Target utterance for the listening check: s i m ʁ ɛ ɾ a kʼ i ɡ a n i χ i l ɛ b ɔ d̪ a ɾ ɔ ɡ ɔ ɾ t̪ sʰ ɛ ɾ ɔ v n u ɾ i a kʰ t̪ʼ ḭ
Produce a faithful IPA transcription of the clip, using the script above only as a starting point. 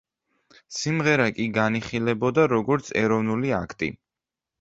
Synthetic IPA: s i m ʁ ɛ ɾ a kʼ i ɡ a n i χ i l ɛ b ɔ d̪ a ɾ ɔ ɡ ɔ ɾ t̪ sʰ ɛ ɾ ɔ v n u l i a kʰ t̪ʼ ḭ